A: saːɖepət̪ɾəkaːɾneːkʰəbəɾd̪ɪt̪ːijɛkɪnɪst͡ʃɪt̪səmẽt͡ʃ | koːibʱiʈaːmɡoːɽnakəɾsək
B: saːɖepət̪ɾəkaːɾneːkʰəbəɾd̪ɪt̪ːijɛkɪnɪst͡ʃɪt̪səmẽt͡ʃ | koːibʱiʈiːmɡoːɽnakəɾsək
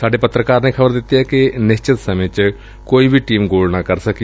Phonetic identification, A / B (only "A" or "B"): B